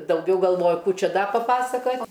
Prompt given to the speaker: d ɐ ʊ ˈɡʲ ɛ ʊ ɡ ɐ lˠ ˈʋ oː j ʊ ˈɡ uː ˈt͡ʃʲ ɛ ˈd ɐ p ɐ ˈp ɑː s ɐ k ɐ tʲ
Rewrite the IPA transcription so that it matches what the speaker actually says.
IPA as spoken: d ɐ ʊ ˈɡʲ ɛ ʊ ɡ ɐ lˠ ˈʋ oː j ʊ ˈk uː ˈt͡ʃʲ ɛ ˈd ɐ p ɐ ˈp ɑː s ɐ k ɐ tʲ